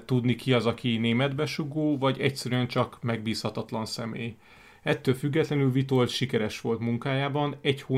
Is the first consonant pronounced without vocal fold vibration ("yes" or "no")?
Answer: yes